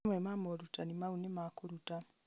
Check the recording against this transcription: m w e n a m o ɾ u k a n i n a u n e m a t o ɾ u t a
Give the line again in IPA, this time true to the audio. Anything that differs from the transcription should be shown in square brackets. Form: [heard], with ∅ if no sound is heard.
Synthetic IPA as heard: m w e [m] a m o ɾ u [t] a n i [m] a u n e m a [k] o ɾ u t a